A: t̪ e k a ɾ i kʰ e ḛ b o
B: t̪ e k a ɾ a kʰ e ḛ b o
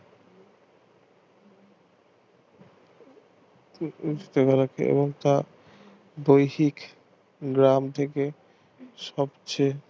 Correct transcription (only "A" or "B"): B